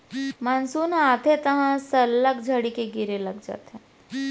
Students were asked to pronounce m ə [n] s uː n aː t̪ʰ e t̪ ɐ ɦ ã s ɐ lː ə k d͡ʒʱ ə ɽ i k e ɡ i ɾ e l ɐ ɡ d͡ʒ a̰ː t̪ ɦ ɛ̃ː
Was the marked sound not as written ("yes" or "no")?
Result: no